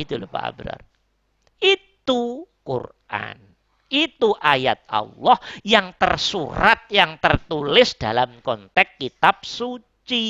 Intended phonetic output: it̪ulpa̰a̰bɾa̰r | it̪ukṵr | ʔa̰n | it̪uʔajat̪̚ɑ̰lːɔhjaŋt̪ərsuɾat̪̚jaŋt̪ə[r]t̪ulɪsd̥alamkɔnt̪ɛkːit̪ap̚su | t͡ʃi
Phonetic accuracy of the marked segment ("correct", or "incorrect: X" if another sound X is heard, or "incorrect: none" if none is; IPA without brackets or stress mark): correct